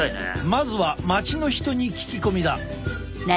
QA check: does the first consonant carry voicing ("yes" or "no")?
yes